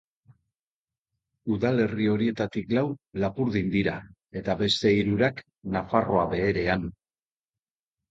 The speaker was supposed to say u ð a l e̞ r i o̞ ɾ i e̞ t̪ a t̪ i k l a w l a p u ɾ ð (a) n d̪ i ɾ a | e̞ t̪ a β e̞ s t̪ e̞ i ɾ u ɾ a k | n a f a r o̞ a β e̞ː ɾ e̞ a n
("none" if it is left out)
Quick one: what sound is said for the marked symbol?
i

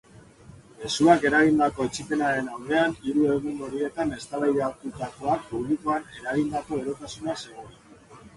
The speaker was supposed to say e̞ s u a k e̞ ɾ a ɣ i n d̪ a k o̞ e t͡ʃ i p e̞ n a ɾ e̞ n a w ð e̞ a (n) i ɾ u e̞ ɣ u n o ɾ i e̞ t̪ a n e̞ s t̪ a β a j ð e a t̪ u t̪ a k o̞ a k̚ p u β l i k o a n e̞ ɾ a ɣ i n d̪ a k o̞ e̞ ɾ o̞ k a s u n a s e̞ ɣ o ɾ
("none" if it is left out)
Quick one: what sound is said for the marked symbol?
n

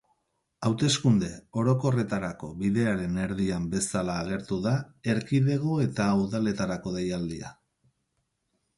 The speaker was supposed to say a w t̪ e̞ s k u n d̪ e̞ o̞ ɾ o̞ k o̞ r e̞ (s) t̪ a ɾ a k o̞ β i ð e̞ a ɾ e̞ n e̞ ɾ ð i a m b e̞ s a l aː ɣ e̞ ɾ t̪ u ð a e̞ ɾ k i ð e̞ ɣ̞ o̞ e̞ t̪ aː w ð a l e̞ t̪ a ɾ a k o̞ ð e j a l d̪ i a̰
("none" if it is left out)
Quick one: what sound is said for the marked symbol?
none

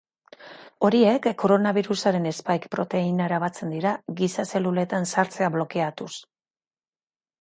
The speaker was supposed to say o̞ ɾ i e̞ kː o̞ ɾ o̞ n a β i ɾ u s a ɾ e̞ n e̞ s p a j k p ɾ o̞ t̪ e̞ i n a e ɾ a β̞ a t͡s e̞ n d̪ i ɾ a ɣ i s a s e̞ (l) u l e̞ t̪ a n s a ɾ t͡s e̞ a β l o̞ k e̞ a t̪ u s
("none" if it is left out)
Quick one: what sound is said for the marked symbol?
l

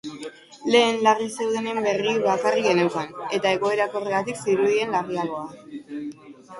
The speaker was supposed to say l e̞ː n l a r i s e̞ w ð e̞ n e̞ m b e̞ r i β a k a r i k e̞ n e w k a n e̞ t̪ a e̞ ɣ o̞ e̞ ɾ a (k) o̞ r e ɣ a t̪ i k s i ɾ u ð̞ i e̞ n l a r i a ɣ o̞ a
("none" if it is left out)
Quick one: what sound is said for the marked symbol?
k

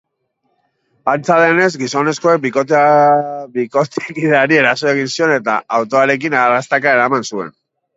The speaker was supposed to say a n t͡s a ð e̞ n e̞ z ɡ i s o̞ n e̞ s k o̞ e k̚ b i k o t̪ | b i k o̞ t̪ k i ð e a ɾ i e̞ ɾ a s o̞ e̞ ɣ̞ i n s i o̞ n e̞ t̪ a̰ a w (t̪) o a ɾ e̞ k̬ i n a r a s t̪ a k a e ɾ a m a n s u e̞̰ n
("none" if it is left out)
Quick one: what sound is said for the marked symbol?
t̪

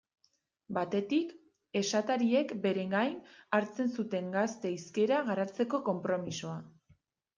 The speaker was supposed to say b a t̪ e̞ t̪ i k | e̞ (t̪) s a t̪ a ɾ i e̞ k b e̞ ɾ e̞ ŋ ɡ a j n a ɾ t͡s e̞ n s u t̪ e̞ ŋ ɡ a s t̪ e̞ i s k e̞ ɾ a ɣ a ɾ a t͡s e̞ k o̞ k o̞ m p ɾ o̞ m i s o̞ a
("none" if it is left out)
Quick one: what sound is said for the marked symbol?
none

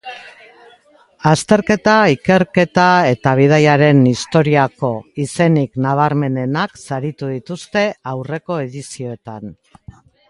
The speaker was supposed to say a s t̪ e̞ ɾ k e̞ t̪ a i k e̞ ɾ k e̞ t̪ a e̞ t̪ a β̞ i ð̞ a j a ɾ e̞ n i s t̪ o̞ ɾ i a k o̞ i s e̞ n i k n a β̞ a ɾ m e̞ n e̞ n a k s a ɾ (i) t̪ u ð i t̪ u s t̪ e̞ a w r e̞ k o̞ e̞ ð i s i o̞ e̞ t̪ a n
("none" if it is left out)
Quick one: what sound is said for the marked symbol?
i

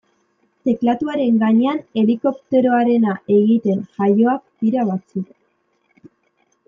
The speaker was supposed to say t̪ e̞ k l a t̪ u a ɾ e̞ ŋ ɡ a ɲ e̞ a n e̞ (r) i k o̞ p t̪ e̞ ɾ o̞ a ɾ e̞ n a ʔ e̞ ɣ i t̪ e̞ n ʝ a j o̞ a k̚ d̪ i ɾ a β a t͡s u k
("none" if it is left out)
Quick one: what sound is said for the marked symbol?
l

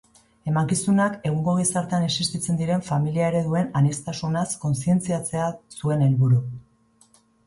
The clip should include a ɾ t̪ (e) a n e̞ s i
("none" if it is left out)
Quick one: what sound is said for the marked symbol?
e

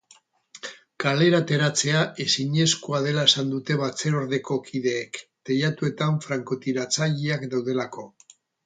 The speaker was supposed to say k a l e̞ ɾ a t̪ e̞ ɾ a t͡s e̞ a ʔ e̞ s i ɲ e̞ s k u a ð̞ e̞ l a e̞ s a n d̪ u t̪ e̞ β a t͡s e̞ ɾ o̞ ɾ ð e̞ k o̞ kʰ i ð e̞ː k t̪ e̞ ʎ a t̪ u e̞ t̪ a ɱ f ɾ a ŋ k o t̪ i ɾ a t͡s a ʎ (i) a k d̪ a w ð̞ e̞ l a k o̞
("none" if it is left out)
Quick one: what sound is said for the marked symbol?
i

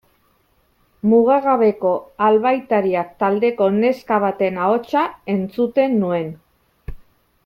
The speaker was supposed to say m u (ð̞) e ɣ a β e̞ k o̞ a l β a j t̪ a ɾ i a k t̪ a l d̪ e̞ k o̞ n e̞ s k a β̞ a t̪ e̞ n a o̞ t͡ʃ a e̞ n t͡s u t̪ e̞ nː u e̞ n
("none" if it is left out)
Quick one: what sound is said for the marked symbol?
ɣ̞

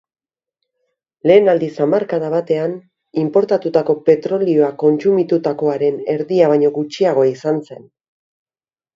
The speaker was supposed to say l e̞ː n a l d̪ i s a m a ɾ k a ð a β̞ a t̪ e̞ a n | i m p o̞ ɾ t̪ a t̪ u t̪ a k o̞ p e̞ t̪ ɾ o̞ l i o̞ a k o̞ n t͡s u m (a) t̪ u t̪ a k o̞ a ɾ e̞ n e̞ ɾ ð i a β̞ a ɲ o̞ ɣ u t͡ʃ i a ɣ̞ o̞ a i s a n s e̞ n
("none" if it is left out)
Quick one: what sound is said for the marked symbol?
i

